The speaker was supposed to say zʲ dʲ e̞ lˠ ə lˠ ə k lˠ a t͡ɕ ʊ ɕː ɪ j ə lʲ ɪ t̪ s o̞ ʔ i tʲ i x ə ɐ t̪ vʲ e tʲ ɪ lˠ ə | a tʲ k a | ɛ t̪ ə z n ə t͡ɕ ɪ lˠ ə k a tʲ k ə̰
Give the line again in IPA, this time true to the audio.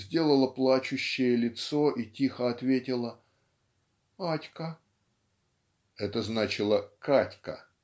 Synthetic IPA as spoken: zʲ dʲ e̞ lˠ ə lˠ ə p lˠ a t͡ɕ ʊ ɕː ɪ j ə lʲ ɪ t̪ s o̞ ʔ i tʲ i x ə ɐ t̪ vʲ e tʲ ɪ lˠ ə | a tʲ k ə | ɛ t̪ ə z n a t͡ɕ ɪ lˠ ə k a tʲ k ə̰